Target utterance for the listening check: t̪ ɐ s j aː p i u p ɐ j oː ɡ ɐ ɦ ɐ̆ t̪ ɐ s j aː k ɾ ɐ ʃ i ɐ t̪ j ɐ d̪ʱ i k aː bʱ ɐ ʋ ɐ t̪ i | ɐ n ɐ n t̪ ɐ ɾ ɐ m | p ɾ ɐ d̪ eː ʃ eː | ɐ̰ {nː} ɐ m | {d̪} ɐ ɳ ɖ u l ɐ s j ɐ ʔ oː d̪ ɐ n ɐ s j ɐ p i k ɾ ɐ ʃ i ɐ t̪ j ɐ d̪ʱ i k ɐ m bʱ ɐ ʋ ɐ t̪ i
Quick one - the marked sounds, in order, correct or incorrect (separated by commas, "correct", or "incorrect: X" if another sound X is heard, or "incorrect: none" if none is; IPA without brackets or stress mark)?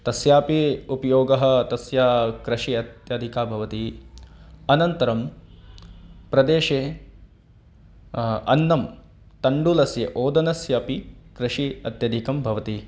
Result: correct, incorrect: t̪